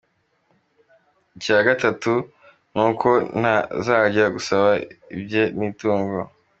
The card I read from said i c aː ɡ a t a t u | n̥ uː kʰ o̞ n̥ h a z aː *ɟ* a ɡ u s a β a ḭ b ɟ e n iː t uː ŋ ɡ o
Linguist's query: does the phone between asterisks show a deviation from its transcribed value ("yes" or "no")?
no